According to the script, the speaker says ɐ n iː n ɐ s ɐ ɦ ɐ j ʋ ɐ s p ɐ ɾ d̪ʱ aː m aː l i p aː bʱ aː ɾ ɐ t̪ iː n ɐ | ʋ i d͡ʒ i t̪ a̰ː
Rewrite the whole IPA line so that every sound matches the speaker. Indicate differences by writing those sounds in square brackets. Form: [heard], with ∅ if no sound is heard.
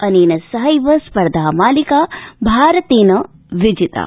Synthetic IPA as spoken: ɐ n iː n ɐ s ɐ ɦ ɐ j ʋ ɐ s p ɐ ɾ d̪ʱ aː m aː l i [k] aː bʱ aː ɾ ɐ t̪ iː n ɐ | ʋ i d͡ʒ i t̪ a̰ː